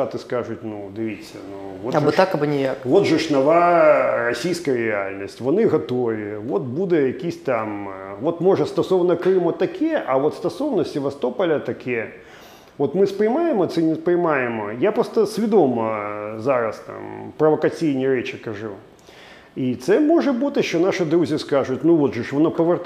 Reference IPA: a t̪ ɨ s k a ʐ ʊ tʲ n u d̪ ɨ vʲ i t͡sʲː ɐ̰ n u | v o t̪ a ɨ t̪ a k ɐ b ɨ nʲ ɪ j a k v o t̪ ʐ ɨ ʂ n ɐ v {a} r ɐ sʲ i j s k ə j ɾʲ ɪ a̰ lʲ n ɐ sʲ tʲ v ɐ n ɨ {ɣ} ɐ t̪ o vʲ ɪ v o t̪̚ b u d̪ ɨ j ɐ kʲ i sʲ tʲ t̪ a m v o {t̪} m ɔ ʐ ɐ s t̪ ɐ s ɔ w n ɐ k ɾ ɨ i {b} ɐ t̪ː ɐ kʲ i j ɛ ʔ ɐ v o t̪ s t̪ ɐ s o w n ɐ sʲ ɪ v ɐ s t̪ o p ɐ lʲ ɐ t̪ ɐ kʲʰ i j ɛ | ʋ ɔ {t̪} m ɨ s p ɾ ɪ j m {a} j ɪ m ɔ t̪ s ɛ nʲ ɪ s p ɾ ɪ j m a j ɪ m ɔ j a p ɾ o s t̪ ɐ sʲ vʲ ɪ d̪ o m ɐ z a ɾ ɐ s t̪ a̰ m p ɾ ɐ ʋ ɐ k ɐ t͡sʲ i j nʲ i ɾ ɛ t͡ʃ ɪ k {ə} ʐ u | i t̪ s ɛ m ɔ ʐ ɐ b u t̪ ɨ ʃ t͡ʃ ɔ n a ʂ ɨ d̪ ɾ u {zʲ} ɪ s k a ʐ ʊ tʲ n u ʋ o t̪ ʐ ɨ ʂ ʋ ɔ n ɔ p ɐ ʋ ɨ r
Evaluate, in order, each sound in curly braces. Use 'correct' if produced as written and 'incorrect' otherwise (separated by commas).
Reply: correct, correct, correct, incorrect, correct, correct, incorrect, correct